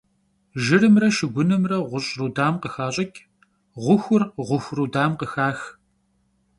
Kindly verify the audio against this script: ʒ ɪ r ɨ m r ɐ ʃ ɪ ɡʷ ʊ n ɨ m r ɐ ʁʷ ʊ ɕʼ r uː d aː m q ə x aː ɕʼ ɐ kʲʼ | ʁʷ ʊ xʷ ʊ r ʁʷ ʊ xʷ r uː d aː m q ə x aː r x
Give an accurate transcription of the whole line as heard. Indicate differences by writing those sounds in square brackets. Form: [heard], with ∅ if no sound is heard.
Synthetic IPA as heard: ʒ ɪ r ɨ m r ɐ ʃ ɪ ɡʷ ʊ n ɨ m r ɐ ʁʷ ʊ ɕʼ r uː d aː m q ə x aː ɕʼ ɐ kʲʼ | ʁʷ ʊ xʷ ʊ r ʁʷ ʊ xʷ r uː d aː m q ə x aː [∅] x